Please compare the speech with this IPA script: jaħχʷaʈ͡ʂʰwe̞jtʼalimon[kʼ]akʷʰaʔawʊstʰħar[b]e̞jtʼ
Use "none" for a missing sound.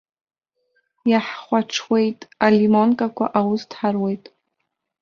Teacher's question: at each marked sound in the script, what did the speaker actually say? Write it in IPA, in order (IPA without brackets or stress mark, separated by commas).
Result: kʼ, w